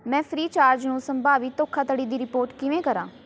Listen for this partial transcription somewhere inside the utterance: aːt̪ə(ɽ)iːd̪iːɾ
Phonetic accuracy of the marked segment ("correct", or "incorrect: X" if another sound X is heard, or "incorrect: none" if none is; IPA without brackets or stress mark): correct